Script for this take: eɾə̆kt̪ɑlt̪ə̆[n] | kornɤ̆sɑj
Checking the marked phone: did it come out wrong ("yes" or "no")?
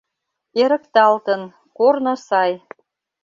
no